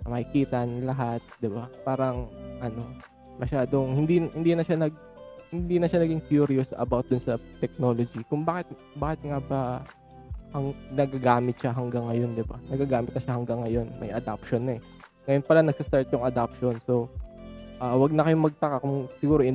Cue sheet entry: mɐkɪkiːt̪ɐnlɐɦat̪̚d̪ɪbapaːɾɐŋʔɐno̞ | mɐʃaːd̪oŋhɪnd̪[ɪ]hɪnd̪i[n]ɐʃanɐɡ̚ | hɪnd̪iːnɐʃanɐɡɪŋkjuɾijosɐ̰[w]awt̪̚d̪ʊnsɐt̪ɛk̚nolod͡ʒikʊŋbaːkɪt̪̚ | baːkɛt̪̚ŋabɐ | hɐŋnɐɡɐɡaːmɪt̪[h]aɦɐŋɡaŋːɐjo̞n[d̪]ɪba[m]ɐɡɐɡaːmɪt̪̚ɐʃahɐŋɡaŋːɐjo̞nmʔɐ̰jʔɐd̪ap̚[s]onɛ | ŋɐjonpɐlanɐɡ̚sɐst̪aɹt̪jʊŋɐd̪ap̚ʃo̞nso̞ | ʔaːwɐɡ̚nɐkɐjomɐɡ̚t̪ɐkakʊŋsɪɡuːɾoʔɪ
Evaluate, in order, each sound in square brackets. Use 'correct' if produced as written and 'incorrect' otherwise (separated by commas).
incorrect, correct, incorrect, incorrect, correct, incorrect, incorrect